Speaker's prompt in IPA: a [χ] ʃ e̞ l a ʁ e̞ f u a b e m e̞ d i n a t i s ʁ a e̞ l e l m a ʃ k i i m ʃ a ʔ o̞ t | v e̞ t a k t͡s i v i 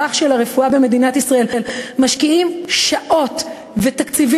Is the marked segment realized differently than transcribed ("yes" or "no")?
no